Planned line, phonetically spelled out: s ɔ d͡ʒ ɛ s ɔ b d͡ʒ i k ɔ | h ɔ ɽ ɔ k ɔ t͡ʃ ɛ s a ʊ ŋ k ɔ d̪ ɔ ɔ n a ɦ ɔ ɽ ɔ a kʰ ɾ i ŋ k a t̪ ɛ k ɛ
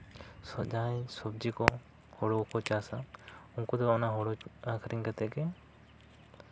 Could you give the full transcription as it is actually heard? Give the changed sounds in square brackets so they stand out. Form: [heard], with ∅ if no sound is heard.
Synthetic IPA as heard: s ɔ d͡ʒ [a] s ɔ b d͡ʒ i k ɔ | h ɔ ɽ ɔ k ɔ t͡ʃ [a] s a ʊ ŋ k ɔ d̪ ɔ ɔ n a ɦ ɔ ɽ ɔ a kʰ ɾ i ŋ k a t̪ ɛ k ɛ